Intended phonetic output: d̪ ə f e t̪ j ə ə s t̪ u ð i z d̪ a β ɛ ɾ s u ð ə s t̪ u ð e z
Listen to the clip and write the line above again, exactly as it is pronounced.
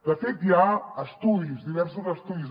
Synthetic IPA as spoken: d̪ ə f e t̪ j a ə s t̪ u ð i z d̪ i β ɛ ɾ s u z ə s t̪ u ð i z